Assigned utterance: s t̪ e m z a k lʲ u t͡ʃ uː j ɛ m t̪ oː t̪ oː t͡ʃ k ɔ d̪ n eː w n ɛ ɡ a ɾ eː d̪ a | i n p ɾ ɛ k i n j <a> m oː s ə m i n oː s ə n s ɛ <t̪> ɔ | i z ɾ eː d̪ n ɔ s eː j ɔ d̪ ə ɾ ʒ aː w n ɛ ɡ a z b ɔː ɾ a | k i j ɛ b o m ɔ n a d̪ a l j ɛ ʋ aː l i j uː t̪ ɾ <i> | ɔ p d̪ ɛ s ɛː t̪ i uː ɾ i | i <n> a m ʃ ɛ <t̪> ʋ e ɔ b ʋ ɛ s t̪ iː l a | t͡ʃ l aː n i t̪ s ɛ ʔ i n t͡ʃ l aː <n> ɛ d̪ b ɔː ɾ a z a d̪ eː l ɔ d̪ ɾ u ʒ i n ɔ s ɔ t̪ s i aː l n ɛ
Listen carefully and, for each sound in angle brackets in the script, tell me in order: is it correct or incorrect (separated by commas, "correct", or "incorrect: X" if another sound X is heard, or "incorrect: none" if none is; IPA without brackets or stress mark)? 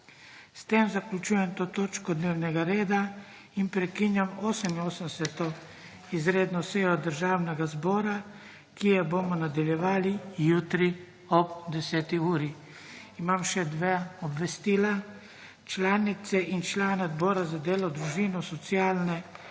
correct, correct, correct, incorrect: m, incorrect: d̪, correct